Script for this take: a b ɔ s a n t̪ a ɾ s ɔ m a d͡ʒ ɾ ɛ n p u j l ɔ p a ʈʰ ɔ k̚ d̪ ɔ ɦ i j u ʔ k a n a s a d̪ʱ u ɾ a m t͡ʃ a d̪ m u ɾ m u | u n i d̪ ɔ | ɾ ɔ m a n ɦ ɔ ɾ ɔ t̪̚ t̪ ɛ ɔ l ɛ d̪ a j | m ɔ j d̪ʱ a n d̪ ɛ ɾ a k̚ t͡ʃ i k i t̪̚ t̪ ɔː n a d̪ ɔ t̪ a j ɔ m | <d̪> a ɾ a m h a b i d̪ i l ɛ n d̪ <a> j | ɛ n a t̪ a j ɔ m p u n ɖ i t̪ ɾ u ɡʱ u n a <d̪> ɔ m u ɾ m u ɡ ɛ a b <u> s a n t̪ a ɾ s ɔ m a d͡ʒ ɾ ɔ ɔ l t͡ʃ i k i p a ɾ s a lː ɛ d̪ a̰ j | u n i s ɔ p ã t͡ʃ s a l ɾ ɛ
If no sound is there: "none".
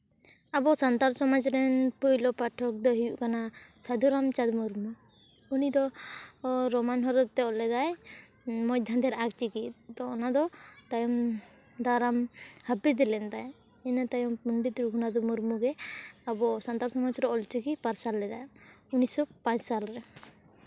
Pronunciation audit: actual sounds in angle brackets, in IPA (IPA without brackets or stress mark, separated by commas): d̪, a, d̪, ɔ